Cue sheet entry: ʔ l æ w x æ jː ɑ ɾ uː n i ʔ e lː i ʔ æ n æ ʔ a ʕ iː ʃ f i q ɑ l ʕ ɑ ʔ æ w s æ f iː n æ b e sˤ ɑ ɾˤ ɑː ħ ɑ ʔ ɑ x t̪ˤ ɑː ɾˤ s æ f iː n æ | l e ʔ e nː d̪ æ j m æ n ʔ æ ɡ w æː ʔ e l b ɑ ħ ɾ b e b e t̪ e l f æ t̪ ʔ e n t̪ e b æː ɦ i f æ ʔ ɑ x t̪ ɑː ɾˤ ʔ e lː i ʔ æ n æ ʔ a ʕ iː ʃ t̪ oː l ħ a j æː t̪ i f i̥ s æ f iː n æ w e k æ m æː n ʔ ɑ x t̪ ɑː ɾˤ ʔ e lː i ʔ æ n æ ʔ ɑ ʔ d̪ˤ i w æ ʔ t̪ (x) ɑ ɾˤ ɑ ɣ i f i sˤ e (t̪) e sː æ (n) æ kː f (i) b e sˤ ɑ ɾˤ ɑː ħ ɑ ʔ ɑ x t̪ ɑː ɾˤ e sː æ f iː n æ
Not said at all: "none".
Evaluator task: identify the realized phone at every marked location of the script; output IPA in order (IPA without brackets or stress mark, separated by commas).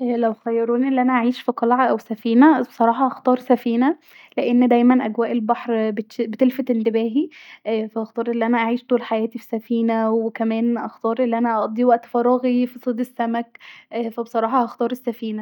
f, d̪, m, æ